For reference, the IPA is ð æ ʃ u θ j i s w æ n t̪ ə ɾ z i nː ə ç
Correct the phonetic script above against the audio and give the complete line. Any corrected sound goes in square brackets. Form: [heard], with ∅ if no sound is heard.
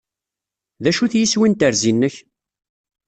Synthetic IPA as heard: ð æ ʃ u θ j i s w [i] n t̪ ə ɾ z i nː ə ç